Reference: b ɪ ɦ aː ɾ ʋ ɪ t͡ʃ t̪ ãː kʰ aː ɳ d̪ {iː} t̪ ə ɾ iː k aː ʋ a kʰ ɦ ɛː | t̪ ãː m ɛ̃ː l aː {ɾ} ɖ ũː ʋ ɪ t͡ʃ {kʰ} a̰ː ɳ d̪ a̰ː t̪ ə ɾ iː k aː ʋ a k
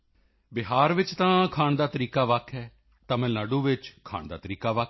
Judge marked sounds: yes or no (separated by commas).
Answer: no, no, yes